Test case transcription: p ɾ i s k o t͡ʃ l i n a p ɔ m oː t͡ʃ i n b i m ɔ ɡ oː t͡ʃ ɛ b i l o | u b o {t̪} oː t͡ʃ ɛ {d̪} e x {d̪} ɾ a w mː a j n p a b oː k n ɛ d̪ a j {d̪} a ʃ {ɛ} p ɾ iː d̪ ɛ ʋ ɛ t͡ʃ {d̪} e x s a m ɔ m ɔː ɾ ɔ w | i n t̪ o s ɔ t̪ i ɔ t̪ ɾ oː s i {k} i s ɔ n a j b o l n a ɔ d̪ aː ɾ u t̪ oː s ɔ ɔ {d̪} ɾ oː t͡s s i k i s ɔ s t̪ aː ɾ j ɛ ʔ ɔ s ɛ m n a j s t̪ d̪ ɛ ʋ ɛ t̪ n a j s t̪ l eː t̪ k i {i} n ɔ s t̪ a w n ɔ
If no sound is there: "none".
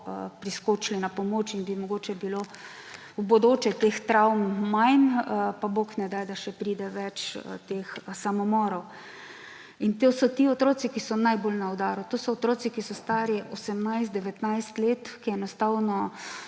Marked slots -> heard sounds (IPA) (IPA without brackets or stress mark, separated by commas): d̪, t̪, t̪, d̪, ɛ, t̪, k, t̪, ɛ